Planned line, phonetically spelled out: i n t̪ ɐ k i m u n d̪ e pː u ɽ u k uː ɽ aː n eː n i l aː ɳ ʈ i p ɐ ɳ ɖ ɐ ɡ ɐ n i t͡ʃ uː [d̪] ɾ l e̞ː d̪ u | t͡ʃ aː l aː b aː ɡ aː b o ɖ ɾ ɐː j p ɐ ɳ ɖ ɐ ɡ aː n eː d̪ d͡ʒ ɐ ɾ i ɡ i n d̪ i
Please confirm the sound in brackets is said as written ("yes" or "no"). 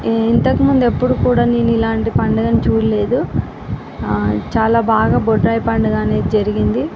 no